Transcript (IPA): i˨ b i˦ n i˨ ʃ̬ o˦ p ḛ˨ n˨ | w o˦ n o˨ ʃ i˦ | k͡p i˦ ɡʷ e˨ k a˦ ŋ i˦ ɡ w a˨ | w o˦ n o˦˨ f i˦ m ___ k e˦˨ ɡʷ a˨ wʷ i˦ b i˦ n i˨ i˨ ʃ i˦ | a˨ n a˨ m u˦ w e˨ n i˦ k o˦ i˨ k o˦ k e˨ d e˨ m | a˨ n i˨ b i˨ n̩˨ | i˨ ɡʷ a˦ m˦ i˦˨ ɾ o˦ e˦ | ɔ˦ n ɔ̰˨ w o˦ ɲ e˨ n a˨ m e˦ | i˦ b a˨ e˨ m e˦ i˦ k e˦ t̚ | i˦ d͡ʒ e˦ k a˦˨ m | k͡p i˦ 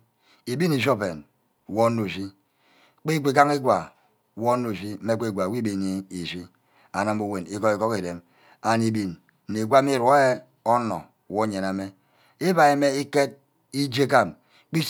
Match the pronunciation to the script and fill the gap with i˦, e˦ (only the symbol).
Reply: e˦